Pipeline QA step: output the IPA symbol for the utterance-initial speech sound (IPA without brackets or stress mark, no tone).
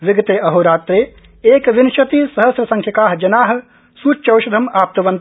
ʋ